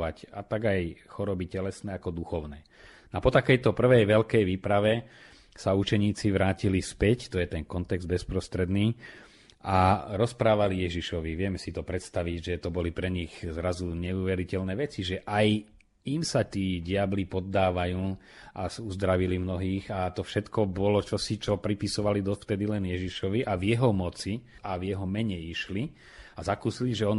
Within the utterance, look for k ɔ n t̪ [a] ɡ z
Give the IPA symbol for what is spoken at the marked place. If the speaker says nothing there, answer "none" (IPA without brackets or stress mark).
ɛ